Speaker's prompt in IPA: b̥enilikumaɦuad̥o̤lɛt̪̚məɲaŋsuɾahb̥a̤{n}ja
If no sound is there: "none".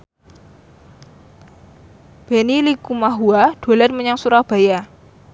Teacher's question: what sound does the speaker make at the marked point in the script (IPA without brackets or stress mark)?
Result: none